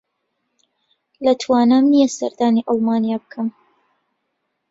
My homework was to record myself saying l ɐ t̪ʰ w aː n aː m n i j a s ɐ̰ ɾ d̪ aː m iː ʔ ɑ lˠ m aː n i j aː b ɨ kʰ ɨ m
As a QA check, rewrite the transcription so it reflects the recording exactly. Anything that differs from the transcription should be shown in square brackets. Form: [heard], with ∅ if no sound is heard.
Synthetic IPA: l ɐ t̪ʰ w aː n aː m n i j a s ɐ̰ ɾ d̪ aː [n] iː ʔ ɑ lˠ m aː n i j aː b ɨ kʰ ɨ m